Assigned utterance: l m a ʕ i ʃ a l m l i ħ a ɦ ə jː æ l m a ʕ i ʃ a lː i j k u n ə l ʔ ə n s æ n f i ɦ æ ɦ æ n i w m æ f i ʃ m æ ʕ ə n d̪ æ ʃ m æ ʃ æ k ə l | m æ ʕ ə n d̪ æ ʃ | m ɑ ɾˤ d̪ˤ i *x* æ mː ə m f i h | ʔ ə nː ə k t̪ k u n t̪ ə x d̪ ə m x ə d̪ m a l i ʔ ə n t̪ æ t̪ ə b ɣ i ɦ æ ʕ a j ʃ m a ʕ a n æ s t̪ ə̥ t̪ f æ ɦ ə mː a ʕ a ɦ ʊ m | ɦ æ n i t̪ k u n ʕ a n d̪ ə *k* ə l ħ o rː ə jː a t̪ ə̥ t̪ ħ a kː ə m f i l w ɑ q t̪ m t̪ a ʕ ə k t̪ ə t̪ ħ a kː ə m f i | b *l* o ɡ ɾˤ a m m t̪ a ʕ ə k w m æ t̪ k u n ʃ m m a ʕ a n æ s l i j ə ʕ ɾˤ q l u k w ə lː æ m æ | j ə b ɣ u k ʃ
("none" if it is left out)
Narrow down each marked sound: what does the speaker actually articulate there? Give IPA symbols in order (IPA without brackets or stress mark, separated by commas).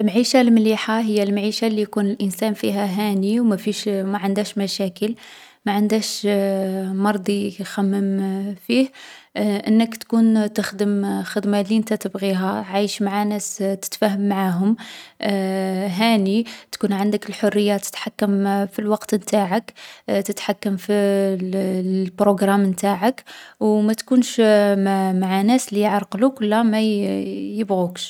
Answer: x, k, ɾ